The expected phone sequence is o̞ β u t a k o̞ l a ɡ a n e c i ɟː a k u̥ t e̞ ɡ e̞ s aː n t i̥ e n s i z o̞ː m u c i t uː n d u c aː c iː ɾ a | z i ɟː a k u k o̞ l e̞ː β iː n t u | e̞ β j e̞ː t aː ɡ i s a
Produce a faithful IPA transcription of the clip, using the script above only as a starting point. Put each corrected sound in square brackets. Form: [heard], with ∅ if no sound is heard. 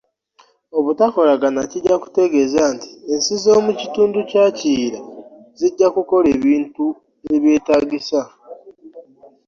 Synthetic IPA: o̞ β u t a k o̞ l a ɡ a n [a] c i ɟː a k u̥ t e̞ ɡ e̞ [z] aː n t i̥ e n s i z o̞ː m u c i t uː n d u c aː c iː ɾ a | z i ɟː a k u k o̞ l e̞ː β iː n t u | e̞ β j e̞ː t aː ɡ i s a